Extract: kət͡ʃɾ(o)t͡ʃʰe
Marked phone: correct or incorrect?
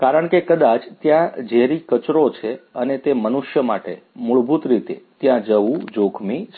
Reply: correct